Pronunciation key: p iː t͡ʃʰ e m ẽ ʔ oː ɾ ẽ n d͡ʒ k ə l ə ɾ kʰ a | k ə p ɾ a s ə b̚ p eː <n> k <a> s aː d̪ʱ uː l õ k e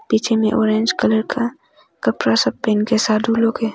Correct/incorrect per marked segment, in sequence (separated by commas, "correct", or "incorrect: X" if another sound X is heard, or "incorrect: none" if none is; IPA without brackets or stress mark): correct, incorrect: e